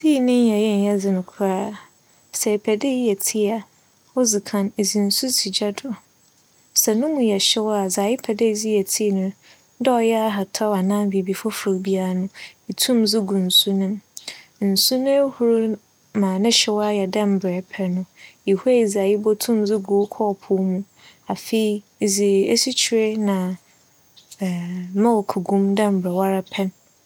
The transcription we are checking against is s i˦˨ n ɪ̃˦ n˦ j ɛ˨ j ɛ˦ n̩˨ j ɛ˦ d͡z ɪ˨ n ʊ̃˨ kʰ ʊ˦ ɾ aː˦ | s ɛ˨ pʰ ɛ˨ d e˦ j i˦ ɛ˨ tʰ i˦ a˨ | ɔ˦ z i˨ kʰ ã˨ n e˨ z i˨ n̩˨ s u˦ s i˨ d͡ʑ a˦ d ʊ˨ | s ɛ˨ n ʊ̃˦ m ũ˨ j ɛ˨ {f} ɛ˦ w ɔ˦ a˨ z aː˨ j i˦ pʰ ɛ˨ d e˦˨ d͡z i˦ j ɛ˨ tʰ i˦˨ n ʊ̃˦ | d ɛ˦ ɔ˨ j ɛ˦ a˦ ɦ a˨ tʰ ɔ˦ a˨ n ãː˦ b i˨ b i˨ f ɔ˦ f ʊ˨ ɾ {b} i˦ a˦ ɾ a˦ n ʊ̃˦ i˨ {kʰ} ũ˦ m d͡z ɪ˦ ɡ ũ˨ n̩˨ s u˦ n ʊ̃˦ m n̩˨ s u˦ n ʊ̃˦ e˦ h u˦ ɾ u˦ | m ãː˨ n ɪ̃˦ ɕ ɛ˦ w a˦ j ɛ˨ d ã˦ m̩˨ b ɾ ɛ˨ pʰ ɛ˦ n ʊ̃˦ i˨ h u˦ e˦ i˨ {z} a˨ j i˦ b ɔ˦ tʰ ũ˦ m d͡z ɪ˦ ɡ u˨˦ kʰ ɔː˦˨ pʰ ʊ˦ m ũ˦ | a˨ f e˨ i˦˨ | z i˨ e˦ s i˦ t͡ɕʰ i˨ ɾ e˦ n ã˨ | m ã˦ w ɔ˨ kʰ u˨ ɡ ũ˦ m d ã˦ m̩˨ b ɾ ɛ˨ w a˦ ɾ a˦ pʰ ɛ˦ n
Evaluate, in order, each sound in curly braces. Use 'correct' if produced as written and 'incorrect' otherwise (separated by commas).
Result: incorrect, correct, incorrect, correct